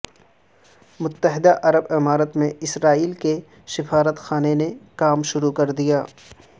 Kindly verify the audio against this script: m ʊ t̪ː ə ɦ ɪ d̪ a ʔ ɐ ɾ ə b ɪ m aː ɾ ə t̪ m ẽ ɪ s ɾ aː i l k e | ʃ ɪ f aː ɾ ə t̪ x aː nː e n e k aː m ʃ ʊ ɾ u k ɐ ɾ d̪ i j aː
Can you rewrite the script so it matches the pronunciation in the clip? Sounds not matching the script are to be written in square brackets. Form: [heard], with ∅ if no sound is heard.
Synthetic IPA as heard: m ʊ t̪ː ə ɦ ɪ d̪ a ʔ ɐ ɾ ə b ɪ m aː ɾ ə t̪ m ẽ ɪ s ɾ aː [iː] l k e | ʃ ɪ f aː ɾ ə t̪ x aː [n] e n e k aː m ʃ ʊ ɾ u k ɐ ɾ d̪ i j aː